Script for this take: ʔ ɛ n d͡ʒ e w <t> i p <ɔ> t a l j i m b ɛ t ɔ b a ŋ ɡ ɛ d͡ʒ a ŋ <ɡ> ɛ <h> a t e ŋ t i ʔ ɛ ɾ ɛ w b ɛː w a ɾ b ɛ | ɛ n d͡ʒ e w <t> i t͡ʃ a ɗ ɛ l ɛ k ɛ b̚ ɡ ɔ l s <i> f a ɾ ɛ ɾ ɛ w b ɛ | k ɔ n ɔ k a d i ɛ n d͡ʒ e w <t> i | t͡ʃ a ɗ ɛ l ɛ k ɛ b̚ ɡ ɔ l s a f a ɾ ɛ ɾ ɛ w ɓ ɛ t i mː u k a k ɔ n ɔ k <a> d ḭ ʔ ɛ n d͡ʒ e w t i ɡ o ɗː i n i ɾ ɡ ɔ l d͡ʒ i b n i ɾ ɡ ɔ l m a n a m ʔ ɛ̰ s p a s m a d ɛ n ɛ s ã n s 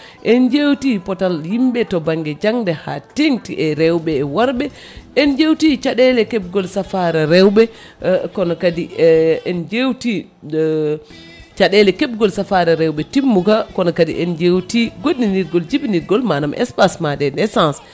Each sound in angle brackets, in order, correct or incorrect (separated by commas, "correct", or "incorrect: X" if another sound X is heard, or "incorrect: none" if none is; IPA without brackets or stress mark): correct, correct, incorrect: d, correct, correct, incorrect: a, correct, correct